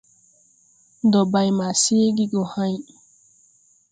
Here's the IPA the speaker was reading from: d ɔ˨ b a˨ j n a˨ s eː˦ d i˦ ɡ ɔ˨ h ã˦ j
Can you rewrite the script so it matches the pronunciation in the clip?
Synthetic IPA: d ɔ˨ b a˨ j m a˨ s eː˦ ɡ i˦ ɡ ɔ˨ h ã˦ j

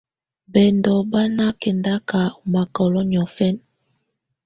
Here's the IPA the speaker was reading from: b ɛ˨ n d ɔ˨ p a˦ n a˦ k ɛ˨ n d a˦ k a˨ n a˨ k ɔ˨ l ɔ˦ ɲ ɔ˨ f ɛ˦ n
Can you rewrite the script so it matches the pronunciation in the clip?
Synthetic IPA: b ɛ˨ n d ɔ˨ b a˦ n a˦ k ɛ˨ n d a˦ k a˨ m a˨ k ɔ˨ l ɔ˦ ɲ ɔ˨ f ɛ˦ n

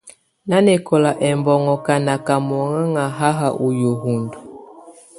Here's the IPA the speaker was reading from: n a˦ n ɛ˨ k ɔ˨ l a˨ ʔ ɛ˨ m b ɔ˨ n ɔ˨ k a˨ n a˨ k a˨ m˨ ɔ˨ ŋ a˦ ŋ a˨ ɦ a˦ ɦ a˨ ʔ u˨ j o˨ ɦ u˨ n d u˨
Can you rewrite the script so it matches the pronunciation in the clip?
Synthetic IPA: n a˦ n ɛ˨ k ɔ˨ l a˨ ʔ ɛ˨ m b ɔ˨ ŋ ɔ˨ k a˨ n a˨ k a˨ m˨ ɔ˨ ŋ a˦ ŋ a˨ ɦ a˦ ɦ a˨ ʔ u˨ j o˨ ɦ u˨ n d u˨

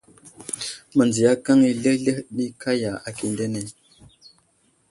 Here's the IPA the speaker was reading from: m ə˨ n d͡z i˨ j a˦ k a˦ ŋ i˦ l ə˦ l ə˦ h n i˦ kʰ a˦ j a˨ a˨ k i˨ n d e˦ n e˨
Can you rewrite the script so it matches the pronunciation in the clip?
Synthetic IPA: m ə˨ n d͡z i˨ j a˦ k a˦ ŋ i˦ l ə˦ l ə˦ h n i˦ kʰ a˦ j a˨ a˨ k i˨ n d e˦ n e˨

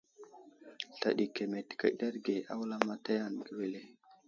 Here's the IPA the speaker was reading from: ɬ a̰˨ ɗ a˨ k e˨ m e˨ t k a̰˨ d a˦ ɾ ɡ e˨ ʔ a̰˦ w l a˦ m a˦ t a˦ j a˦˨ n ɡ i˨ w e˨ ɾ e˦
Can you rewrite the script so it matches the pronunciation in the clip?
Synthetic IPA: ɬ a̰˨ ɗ i˨ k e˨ m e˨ t k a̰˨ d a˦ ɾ ɡ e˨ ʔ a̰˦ w l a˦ m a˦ t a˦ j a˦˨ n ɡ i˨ w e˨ l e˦

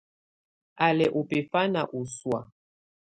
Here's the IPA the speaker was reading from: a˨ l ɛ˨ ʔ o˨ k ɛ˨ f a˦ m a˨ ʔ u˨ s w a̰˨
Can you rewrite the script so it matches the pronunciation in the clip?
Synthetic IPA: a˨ l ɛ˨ ʔ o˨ p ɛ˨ f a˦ n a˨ ʔ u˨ s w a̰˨

